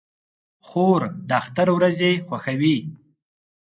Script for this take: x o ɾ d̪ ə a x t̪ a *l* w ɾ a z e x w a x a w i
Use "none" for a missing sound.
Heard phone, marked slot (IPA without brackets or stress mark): ɾ